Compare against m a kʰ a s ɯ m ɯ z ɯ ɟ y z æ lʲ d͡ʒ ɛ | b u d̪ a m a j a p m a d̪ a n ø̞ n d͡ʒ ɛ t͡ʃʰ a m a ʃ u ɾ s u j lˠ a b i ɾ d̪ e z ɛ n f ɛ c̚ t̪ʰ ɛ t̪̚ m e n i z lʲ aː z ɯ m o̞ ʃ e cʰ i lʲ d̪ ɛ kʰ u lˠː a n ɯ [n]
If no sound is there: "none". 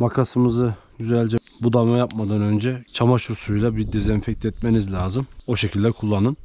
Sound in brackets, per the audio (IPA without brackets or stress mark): n